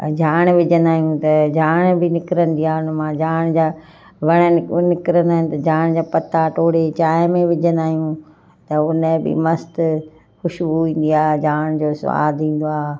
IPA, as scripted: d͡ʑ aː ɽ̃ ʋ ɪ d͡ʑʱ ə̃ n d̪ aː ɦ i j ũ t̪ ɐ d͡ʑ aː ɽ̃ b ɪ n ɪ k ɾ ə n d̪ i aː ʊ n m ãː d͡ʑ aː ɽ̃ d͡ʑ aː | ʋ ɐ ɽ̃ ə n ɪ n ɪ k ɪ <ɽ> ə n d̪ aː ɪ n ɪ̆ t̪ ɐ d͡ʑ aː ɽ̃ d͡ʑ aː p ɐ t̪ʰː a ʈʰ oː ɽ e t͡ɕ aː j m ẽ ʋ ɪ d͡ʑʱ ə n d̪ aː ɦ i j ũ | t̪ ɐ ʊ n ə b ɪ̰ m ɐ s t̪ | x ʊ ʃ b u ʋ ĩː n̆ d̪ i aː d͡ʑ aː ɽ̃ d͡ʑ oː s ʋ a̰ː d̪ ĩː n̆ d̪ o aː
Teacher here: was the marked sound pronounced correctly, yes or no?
no